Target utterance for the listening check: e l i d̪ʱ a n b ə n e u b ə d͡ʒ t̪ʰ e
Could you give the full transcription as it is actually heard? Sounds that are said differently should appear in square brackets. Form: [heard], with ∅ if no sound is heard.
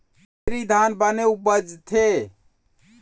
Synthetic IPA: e [ɾ] i d̪ʱ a n b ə n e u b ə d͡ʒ t̪ʰ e